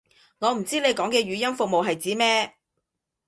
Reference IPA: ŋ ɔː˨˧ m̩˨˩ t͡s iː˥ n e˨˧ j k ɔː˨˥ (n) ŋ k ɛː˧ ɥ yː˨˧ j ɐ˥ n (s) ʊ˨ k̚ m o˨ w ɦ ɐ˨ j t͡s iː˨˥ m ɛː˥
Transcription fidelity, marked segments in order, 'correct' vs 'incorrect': incorrect: none, incorrect: f

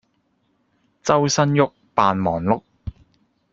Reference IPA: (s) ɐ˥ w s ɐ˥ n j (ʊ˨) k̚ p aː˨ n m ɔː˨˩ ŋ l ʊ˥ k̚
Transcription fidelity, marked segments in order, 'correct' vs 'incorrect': incorrect: t͡s, incorrect: ʊ˥

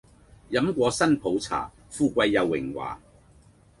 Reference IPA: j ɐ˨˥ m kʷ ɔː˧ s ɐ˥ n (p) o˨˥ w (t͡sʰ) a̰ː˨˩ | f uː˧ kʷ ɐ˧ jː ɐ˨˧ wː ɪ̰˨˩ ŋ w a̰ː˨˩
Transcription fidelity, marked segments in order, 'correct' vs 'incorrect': incorrect: pʰ, correct

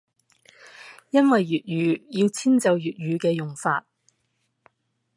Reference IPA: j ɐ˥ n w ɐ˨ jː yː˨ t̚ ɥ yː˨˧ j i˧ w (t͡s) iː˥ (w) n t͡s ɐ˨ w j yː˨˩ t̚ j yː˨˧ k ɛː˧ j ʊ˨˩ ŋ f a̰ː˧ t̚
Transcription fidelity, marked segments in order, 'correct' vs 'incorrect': incorrect: t͡sʰ, incorrect: none

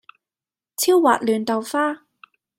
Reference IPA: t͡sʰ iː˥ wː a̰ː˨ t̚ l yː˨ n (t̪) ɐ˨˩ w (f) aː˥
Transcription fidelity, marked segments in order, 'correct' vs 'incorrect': correct, correct

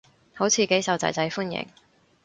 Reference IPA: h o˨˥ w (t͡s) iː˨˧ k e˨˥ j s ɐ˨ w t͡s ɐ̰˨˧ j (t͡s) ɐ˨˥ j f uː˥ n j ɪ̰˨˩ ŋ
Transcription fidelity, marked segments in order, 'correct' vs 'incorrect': incorrect: t͡sʰ, correct

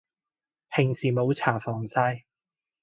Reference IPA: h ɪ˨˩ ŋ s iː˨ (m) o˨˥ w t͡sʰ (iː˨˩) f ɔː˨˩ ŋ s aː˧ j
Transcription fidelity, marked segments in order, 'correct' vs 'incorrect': correct, incorrect: aː˨˩

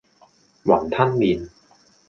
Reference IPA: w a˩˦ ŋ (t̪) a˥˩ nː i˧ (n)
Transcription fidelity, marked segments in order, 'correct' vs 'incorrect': incorrect: t̪ʰ, correct

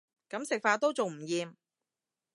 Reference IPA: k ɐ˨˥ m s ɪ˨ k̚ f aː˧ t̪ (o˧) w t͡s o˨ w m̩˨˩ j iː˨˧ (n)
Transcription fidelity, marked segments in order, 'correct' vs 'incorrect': incorrect: o˥, incorrect: m

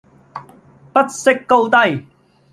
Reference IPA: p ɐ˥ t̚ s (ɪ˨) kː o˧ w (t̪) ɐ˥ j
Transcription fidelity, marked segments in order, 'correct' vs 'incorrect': incorrect: ɪ˥, correct

